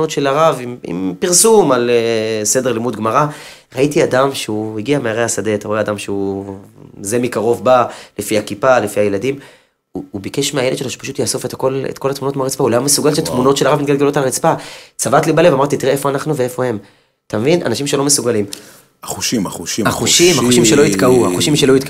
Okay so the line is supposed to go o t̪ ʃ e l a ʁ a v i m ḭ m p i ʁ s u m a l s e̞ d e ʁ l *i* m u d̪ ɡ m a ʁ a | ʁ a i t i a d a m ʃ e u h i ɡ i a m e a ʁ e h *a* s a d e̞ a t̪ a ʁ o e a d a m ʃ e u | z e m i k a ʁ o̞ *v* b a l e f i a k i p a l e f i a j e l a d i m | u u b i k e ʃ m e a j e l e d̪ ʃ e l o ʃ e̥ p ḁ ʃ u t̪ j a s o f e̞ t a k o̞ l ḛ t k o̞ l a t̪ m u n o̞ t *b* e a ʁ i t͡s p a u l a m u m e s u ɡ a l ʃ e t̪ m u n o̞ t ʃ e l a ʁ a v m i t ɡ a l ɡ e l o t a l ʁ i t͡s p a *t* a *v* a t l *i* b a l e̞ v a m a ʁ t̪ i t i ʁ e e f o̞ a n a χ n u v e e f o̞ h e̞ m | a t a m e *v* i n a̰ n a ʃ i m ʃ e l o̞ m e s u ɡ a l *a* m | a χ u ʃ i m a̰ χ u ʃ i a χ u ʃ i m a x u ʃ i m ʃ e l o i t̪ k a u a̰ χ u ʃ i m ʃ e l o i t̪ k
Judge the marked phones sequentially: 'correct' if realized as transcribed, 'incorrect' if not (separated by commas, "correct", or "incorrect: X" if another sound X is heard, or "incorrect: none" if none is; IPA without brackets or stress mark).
correct, correct, correct, incorrect: m, incorrect: t͡s, correct, correct, correct, incorrect: i